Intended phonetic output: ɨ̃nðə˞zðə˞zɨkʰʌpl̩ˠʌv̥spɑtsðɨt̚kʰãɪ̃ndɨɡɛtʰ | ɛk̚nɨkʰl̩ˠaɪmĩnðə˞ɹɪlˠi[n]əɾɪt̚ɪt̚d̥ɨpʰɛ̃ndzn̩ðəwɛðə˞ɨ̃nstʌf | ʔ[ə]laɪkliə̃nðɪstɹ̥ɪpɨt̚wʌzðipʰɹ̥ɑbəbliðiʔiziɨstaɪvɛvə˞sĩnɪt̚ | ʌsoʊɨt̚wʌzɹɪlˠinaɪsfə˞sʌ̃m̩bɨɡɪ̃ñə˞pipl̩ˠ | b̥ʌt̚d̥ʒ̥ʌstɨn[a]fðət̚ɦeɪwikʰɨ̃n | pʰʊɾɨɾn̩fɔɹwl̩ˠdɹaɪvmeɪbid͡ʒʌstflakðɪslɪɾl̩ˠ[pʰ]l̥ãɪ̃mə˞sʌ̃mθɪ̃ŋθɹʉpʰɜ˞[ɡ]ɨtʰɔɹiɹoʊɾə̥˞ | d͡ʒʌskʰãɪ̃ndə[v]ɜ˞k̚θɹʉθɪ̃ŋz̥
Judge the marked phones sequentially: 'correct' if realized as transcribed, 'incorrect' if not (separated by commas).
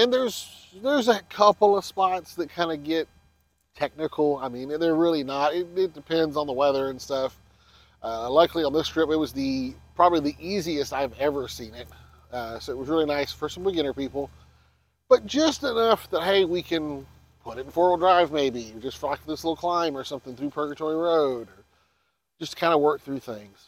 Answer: correct, incorrect, incorrect, incorrect, correct, incorrect